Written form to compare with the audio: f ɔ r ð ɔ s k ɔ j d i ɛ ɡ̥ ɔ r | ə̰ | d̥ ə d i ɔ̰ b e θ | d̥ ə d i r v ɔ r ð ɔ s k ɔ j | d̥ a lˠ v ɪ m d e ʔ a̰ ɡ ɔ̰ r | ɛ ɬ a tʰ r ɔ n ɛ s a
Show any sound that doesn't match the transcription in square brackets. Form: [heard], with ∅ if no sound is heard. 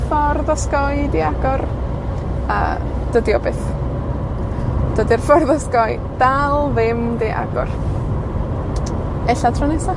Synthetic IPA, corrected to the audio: f ɔ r ð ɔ s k ɔ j d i [a] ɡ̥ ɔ r | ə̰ | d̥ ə d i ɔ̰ b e θ | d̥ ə d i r [f] ɔ r ð ɔ s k ɔ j | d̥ a lˠ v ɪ m d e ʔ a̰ ɡ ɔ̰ r | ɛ ɬ a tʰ r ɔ n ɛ s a